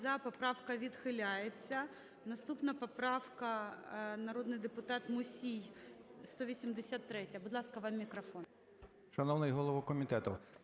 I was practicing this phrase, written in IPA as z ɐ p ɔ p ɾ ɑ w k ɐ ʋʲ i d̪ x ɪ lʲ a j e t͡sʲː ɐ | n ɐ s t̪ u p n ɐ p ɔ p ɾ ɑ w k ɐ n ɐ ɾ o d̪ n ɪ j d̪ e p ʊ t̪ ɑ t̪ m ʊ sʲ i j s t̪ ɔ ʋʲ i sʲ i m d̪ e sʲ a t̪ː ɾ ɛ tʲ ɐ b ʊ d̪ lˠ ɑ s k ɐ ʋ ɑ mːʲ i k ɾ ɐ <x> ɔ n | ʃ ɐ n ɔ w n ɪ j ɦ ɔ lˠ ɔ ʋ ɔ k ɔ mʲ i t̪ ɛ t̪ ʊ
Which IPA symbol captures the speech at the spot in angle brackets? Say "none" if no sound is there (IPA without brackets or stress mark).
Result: f